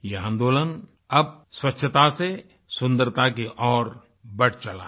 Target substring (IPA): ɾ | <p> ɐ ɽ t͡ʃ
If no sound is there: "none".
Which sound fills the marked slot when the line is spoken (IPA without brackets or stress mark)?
b